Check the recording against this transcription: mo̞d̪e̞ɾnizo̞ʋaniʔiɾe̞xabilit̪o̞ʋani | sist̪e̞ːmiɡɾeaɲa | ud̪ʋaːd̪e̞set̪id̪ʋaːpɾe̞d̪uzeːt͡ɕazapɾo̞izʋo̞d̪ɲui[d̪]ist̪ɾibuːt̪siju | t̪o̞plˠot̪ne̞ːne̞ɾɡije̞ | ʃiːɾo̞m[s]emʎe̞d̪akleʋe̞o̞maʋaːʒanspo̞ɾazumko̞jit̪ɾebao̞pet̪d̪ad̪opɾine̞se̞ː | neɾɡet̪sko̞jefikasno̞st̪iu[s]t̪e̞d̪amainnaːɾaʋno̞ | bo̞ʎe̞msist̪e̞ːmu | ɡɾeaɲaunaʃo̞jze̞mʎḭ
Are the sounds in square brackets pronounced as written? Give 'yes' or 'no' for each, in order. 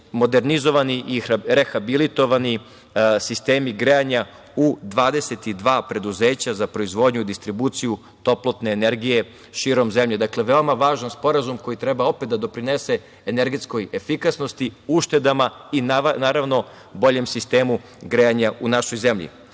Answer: yes, no, no

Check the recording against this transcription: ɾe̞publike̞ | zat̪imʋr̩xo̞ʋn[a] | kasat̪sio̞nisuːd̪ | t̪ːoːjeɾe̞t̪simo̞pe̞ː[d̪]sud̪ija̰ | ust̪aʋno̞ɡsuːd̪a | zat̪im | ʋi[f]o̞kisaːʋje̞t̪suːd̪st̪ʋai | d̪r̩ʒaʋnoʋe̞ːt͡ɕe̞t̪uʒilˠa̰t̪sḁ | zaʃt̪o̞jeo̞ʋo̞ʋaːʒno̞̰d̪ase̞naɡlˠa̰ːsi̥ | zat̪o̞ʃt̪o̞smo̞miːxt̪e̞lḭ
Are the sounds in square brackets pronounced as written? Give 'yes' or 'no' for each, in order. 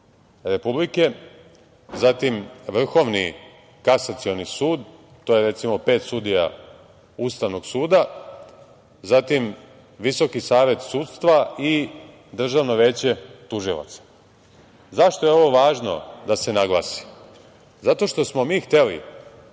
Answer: no, no, no

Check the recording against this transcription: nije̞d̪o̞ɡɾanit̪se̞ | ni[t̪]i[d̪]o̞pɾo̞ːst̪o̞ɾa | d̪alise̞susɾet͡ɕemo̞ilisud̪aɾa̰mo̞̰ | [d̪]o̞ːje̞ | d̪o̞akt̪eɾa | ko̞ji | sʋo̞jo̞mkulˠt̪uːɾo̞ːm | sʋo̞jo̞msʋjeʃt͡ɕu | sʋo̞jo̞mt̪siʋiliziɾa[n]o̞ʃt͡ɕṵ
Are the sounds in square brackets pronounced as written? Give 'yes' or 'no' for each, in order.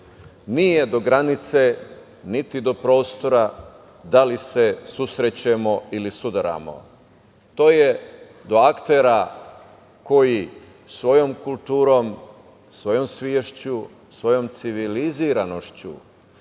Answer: yes, yes, no, yes

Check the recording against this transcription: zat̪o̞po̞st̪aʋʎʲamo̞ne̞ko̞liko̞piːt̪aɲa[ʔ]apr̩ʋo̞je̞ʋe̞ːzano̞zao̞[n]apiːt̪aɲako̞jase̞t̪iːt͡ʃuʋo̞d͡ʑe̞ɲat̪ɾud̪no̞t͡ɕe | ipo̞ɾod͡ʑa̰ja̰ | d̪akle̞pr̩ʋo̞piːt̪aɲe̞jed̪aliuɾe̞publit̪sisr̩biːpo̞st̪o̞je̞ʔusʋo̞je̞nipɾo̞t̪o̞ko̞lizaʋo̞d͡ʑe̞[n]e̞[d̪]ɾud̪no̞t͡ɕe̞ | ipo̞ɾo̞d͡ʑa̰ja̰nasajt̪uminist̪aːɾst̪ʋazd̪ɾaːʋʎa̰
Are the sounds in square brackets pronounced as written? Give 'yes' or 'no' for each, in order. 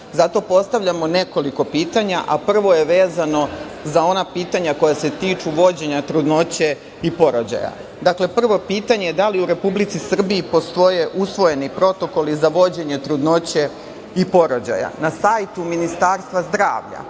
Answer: yes, yes, no, no

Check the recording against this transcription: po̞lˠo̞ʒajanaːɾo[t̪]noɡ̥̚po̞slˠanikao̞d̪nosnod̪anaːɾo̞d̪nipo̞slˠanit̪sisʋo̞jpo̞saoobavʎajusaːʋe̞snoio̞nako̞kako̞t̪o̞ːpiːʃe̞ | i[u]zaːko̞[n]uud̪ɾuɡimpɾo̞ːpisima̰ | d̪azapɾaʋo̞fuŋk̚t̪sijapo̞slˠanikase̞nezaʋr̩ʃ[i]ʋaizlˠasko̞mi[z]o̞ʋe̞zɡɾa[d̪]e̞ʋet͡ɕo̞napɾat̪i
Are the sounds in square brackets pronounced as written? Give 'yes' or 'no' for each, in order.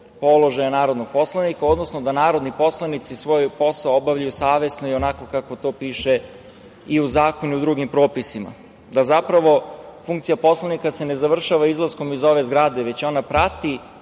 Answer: no, yes, yes, no, yes, yes

